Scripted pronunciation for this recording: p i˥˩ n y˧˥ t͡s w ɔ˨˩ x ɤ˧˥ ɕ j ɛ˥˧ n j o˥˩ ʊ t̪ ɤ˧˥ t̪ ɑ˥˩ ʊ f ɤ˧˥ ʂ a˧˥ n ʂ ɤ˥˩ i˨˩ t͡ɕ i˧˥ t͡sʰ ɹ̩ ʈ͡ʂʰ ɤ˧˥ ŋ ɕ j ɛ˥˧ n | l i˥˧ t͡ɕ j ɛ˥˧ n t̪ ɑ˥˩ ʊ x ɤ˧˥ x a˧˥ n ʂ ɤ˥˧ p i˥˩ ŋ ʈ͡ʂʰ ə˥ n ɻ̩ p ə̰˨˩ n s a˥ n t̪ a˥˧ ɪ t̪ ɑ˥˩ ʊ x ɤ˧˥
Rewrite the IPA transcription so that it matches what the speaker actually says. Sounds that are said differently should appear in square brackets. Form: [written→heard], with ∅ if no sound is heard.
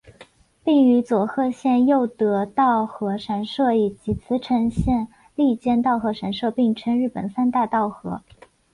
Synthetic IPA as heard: p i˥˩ [n→ŋ] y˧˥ t͡s w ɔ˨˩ x [ɤ˧˥→ɤ˥˧] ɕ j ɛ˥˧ n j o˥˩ ʊ t̪ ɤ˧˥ t̪ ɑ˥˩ ʊ [f→x] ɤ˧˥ ʂ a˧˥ n ʂ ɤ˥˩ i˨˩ t͡ɕ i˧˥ t͡sʰ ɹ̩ ʈ͡ʂʰ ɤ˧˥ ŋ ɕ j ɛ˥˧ n | l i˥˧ t͡ɕ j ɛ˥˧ n t̪ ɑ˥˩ ʊ x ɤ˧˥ [x→ʂ] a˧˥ n ʂ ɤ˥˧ p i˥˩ ŋ ʈ͡ʂʰ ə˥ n ɻ̩ p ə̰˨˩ n s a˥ n t̪ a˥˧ ɪ t̪ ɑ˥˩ ʊ x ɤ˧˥